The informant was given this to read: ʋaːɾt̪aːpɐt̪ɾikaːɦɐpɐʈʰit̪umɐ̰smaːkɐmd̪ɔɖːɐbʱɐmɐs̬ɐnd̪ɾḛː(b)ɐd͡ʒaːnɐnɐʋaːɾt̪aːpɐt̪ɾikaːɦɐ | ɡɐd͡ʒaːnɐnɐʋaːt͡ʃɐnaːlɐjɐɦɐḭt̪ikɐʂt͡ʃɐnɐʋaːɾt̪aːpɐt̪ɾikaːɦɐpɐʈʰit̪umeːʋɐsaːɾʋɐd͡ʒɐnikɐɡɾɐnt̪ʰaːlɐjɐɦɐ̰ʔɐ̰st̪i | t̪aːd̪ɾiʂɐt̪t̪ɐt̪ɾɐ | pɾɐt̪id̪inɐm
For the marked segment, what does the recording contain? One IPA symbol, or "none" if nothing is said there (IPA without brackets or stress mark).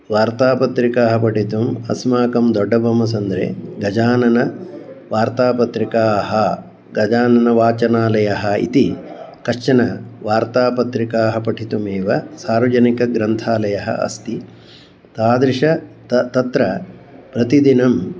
ɡ